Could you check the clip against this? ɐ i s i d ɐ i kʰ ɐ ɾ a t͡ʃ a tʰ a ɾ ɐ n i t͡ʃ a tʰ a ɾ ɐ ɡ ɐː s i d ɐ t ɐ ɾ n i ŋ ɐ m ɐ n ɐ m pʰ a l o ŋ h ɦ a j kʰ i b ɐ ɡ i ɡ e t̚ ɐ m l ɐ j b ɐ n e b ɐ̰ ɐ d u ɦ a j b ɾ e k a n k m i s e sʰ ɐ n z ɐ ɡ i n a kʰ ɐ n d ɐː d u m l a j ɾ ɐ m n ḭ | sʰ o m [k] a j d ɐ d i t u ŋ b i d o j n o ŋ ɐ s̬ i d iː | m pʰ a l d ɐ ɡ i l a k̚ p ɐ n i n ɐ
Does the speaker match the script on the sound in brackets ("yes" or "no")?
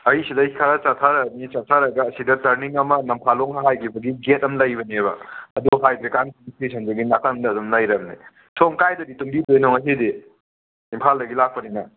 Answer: yes